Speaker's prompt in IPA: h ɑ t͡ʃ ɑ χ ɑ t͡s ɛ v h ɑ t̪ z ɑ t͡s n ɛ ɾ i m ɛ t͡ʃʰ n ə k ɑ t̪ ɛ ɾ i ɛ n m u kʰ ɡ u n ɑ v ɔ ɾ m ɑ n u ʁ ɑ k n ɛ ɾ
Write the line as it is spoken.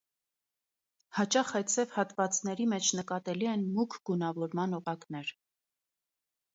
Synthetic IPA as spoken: h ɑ t͡ʃ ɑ χ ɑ t͡sʰ ɛ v h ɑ t̪ v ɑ t͡s n ɛ ɾ i m ɛ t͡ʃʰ n ə k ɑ t̪ ɛ l i ɛ n m u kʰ ɡ u n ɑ v ɔ ɾ m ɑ n ɔ ʁ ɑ k n ɛ ɾ